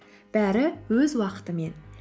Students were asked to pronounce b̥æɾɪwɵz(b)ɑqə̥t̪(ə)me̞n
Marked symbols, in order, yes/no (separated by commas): no, yes